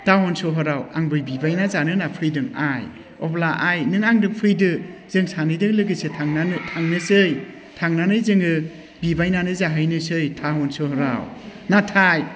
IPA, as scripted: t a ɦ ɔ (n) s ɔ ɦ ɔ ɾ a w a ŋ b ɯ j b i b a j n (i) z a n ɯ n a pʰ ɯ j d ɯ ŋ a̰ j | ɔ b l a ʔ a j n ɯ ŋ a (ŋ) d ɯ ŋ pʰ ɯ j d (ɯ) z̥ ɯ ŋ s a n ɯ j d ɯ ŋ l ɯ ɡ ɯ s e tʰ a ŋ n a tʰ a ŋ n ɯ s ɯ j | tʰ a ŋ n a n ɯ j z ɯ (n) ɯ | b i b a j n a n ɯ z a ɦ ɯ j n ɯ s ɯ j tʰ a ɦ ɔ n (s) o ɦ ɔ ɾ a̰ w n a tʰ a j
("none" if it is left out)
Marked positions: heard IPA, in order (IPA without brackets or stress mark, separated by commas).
n, a, ŋ, ɯ, ŋ, s